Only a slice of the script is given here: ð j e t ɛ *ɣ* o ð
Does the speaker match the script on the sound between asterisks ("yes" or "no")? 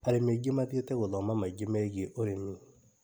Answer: yes